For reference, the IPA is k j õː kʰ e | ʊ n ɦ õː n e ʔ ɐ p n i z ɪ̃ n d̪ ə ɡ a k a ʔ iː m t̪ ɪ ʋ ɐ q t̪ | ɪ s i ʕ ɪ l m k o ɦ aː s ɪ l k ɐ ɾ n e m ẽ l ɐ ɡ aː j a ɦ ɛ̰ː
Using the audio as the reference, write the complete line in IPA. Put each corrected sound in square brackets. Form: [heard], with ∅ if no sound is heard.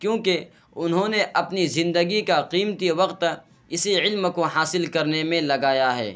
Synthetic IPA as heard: k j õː [k] e | ʊ n ɦ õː n e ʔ ɐ p n i z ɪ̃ n d̪ ə ɡ [i] k a [q] iː m t̪ [i] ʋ ɐ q t̪ | ɪ s i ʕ ɪ l m k o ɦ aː s ɪ l k ɐ ɾ n e m ẽ l ɐ ɡ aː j a ɦ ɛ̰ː